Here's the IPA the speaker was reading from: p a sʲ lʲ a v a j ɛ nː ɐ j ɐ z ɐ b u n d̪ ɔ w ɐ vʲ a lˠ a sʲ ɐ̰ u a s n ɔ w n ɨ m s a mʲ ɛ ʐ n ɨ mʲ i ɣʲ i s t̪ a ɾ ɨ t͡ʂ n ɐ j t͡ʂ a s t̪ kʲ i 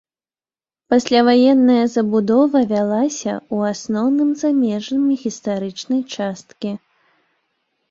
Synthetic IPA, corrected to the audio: p a sʲ lʲ a v a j ɛ nː ɐ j ɐ z ɐ b u d̪ ɔ v ɐ vʲ a lˠ a sʲ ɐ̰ u a s n ɔ w n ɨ m z a mʲ ɛ ʐ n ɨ mʲ i ɣʲ i s t̪ a ɾ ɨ t͡ʂ n ɐ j t͡ʂ a s t̪ kʲ i